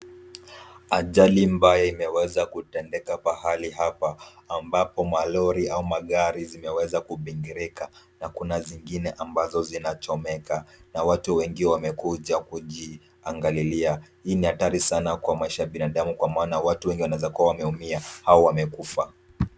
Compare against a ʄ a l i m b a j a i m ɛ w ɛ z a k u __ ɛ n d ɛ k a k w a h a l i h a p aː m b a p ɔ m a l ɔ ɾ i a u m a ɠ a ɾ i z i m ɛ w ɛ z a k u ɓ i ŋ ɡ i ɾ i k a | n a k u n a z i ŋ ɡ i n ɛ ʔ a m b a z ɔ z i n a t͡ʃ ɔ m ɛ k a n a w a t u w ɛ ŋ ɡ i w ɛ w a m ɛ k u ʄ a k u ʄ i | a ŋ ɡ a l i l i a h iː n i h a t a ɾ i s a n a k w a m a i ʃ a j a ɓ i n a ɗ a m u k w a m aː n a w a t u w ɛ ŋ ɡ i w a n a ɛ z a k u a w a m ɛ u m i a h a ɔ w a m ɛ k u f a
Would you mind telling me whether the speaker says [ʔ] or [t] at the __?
t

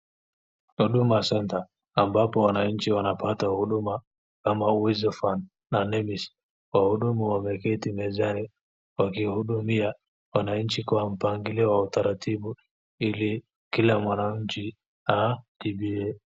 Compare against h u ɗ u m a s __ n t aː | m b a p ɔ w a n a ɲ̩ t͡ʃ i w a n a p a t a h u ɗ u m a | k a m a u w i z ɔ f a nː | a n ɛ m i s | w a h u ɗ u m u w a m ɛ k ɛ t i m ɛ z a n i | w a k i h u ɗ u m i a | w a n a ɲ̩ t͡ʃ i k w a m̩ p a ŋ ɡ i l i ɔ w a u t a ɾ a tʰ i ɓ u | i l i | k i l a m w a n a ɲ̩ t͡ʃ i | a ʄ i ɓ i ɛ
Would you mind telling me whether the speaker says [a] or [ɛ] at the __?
ɛ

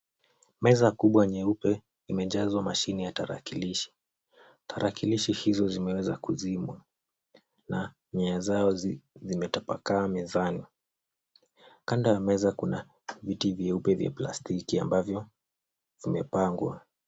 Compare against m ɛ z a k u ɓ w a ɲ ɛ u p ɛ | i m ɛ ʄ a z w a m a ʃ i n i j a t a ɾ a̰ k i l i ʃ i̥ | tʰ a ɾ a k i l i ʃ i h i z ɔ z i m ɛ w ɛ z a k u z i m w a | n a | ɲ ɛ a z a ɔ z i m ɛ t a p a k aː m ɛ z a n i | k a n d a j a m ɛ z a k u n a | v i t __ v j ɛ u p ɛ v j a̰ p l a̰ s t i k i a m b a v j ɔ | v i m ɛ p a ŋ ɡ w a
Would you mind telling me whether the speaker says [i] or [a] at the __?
i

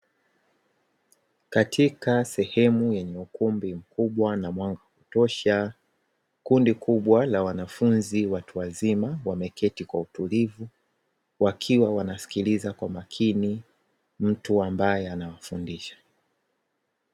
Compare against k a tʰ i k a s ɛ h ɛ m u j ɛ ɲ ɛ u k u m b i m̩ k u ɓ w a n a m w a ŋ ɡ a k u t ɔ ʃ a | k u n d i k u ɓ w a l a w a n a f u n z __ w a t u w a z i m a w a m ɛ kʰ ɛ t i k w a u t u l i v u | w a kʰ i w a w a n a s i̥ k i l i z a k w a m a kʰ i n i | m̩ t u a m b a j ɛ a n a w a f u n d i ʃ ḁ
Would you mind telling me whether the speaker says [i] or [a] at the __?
i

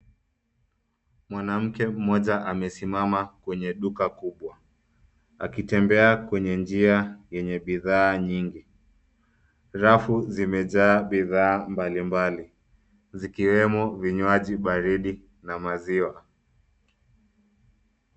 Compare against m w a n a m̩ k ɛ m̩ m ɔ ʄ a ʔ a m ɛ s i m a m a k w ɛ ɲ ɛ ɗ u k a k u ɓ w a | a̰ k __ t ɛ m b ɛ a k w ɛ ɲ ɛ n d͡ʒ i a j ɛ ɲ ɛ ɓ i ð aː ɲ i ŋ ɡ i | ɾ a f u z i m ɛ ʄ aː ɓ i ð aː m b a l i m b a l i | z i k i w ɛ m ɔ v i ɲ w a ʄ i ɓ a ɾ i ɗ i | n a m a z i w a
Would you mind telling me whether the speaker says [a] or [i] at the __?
i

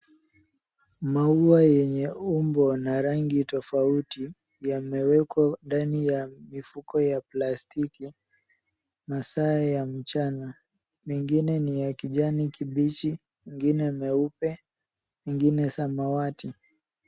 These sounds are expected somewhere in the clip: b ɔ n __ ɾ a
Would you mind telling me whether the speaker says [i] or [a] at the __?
a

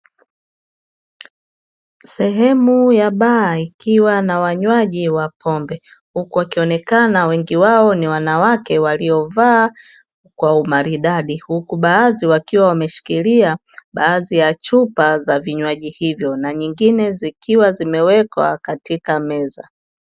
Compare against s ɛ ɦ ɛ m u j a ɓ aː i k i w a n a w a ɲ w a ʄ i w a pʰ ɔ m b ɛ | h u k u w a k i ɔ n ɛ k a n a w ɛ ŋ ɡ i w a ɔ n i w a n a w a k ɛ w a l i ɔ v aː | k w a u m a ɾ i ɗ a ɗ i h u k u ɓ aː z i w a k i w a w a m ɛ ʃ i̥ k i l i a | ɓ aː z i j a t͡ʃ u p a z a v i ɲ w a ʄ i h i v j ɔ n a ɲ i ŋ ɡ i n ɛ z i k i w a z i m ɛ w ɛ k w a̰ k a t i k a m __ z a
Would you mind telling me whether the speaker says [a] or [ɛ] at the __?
ɛ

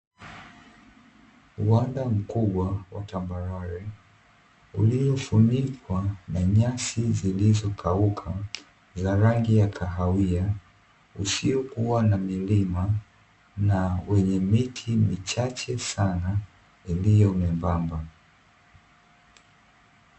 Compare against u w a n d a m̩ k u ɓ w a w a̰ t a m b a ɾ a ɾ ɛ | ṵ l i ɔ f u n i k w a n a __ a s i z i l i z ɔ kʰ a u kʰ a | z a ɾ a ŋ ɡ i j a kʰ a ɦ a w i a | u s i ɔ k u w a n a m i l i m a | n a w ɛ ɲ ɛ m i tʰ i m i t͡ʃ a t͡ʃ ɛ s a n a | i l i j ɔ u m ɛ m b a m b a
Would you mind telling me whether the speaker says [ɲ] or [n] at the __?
ɲ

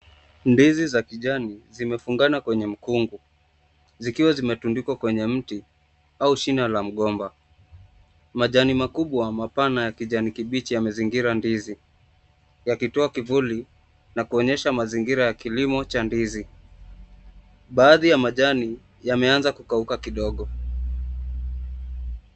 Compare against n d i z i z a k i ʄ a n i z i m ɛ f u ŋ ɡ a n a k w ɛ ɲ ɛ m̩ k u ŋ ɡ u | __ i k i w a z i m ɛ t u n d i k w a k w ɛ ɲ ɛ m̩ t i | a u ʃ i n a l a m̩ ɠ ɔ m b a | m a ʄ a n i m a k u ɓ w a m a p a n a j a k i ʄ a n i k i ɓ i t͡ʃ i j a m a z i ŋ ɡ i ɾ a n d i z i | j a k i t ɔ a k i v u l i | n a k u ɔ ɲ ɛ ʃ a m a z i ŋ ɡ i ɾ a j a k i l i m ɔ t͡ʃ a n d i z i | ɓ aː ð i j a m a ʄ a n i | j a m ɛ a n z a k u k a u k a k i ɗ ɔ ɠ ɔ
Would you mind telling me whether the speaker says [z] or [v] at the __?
z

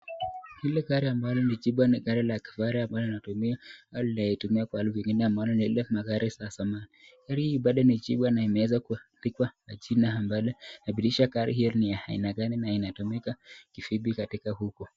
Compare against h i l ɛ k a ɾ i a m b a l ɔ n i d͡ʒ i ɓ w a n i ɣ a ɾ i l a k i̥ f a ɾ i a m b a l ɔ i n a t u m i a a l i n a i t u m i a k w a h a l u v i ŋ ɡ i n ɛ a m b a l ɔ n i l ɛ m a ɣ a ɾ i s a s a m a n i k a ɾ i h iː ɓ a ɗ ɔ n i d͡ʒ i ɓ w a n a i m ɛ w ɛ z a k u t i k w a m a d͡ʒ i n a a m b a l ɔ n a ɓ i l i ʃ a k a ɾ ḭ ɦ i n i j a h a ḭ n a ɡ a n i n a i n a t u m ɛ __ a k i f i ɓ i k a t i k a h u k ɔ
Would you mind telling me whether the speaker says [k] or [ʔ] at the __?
k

